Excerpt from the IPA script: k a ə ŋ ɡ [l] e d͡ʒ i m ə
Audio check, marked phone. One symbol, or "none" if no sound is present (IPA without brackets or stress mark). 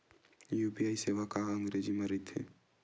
ɾ